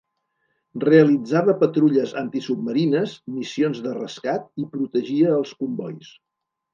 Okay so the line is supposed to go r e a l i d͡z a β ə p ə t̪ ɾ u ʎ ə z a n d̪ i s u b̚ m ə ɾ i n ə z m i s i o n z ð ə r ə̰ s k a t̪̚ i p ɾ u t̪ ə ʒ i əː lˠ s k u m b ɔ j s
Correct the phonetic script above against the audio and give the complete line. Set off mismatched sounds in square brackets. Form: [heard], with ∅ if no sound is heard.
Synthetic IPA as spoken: r e [ə] l i d͡z a β ə p ə t̪ ɾ u ʎ ə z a n [t̪] i s u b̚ m ə ɾ i n ə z m i s i o n z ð ə r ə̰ s k a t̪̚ i p ɾ u t̪ ə ʒ i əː lˠ s k u m b ɔ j s